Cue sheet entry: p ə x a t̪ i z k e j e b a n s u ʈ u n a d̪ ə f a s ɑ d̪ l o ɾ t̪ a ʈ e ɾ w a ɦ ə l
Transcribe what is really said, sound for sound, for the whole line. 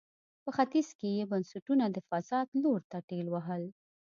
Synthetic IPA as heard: p ə x a t̪ i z k e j e b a n s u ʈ u n a d̪ ə f a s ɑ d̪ l o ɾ t̪ a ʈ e l w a ɦ ə l